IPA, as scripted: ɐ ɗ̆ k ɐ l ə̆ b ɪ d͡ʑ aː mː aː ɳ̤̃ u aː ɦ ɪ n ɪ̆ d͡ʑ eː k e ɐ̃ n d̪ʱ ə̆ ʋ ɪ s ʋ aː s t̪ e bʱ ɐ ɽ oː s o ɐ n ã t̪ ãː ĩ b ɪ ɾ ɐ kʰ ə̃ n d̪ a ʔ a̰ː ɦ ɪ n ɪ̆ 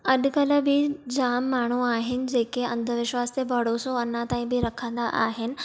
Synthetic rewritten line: ɐ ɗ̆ k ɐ l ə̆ b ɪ d͡ʑ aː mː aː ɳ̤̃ u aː ɦ ɪ n ɪ̆ d͡ʑ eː k e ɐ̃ n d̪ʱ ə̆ ʋ ɪ ʃ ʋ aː s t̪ e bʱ ɐ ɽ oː s o ɐ n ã t̪ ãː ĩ b ɪ ɾ ɐ kʰ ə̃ n d̪ a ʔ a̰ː ɦ ɪ n ɪ̆